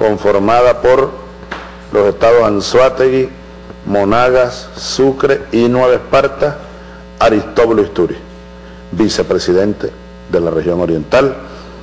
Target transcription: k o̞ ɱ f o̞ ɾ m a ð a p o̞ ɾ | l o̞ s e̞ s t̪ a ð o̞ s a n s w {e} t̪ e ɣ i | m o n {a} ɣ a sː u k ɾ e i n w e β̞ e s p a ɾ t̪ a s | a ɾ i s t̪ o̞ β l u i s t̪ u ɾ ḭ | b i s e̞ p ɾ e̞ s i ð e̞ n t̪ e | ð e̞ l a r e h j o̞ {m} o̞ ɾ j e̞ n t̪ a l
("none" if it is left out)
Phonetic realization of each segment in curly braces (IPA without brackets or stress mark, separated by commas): a, a, ŋ